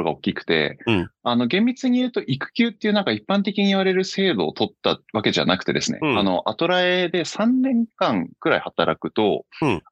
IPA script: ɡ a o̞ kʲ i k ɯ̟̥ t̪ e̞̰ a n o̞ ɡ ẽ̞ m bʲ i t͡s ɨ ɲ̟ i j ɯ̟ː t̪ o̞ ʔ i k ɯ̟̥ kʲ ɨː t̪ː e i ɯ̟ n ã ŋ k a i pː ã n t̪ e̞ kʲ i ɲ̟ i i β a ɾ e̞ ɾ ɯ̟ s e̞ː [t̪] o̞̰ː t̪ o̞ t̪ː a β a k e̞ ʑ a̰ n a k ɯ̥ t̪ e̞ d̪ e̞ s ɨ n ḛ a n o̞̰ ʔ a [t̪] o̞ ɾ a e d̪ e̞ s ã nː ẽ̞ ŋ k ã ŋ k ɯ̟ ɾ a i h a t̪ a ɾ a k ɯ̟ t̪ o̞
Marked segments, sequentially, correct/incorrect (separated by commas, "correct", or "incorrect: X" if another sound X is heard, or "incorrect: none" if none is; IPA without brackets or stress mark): incorrect: d̪, correct